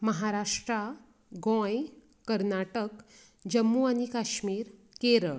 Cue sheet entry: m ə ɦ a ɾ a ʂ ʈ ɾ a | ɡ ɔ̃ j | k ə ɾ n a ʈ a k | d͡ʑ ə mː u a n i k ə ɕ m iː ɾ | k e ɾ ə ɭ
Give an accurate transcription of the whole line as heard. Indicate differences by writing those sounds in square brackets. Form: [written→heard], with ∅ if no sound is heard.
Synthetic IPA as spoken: m ə ɦ a ɾ a ʂ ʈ ɾ a | ɡ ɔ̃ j | k ə ɾ n a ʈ [a→ə] k | d͡ʑ ə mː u a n i k [ə→a] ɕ m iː ɾ | k e ɾ ə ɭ